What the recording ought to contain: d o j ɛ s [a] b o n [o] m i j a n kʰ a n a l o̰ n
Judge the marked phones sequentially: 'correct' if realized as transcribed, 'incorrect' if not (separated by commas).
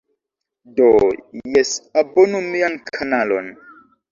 correct, incorrect